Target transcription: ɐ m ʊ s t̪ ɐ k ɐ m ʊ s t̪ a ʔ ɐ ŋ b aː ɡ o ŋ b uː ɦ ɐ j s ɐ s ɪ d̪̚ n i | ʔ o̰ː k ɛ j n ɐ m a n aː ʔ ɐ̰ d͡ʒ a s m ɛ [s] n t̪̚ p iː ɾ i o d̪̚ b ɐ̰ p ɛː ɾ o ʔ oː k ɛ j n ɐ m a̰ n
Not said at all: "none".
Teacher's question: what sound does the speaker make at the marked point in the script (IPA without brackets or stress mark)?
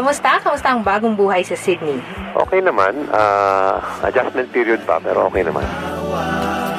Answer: none